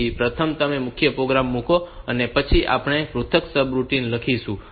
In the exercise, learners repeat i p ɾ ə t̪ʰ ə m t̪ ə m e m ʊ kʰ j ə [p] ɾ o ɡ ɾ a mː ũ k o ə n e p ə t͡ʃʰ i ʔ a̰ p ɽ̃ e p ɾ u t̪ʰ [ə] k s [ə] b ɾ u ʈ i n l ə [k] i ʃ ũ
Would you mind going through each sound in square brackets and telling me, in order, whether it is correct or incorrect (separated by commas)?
correct, correct, correct, incorrect